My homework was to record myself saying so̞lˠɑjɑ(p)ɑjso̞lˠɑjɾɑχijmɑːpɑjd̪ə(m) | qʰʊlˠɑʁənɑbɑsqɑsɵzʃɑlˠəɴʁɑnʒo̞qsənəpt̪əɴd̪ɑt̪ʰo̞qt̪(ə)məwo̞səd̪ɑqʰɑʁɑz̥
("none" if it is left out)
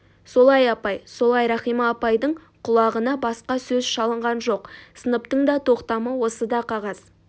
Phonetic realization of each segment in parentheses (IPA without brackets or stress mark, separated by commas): p, ɴ, ɑ